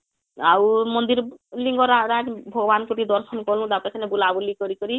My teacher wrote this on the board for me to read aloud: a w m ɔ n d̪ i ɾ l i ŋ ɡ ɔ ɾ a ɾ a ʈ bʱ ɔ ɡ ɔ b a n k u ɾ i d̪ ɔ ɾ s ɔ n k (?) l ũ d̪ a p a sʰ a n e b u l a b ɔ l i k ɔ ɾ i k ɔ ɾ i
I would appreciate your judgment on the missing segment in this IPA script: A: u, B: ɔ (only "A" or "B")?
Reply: B